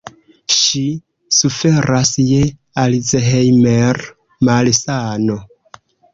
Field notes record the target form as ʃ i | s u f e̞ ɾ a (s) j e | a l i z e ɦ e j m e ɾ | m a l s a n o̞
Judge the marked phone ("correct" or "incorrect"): correct